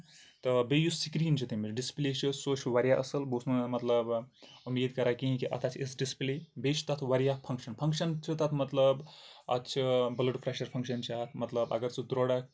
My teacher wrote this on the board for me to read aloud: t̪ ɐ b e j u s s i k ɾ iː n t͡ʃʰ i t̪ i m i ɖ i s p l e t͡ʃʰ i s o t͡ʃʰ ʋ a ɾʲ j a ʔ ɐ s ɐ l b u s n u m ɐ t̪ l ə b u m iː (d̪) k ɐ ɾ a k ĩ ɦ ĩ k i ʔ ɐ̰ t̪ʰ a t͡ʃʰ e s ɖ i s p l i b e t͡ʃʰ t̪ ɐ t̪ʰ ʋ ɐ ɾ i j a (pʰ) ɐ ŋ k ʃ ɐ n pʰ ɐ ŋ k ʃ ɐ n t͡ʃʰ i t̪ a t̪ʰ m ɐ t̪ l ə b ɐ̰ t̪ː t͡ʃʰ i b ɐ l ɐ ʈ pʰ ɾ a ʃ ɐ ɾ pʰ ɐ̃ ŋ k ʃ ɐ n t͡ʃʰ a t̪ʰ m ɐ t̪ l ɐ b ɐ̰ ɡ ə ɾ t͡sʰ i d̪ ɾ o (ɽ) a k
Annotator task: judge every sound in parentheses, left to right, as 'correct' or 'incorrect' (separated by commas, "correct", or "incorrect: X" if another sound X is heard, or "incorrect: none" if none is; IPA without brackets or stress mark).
correct, correct, correct